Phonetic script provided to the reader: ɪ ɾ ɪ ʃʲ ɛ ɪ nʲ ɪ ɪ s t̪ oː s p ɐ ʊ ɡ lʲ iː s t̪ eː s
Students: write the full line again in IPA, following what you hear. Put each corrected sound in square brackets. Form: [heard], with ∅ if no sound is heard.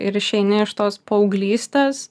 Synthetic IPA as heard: ɪ ɾ ɪ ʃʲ ɛ ɪ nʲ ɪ ɪ [ʃ] t̪ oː s p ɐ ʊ ɡ lʲ iː s t̪ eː s